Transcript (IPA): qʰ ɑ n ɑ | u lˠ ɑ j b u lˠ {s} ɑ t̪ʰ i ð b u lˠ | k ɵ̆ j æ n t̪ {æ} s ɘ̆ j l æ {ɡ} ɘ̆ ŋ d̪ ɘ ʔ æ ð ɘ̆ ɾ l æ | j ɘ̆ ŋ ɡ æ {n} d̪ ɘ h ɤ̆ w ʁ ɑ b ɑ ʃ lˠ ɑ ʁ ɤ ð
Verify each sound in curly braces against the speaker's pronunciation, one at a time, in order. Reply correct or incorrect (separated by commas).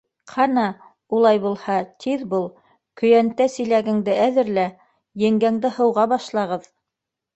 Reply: incorrect, correct, correct, incorrect